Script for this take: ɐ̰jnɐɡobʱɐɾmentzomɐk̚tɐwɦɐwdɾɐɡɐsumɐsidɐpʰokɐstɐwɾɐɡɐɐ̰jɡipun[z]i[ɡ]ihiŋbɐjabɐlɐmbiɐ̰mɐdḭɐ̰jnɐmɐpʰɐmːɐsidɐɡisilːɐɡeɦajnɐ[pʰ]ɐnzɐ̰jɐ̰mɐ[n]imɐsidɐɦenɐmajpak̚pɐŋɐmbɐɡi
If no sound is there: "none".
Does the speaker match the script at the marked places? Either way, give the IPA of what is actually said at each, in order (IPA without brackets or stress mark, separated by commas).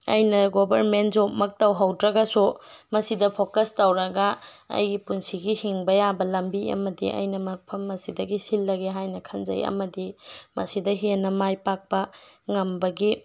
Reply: s, ɡ, kʰ, d